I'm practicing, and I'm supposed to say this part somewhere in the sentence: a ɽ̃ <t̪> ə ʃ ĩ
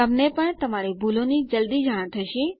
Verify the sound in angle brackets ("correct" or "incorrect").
incorrect